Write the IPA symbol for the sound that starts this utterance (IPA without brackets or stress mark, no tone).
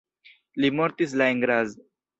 l